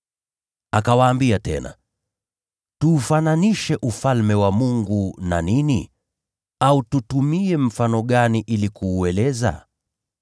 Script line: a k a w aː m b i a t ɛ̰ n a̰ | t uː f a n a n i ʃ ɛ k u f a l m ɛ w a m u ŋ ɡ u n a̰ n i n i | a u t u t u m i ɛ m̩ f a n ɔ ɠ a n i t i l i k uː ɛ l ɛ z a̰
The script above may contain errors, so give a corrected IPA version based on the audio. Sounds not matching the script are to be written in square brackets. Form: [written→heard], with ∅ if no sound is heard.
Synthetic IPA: a k a w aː m b i a t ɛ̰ n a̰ | t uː f a n a n i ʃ ɛ [k→ʔ] u f a l m ɛ w a m u ŋ ɡ u n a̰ n i n i | a u t u t u m i ɛ m̩ f a n ɔ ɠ a n i [t→ʔ] i l i k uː ɛ l ɛ z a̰

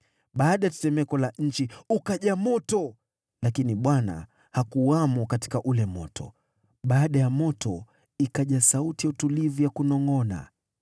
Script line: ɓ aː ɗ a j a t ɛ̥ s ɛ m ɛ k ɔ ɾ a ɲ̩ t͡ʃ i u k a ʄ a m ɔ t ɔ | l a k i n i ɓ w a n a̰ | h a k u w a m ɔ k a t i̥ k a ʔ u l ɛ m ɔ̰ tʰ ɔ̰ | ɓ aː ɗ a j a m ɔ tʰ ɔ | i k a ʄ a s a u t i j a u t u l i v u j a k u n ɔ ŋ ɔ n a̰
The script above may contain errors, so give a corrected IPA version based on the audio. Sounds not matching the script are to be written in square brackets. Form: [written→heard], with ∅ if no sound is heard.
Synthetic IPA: ɓ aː ɗ a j a t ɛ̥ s ɛ m ɛ k ɔ [ɾ→l] a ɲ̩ t͡ʃ i u k a ʄ a m ɔ t ɔ | l a k i n i ɓ w a n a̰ | h a k u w a m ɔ k a t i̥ k a ʔ u l ɛ m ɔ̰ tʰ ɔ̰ | ɓ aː ɗ a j a m ɔ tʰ ɔ | i k a ʄ a s a u t i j a u t u l i v u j a k u n ɔ ŋ ɔ n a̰

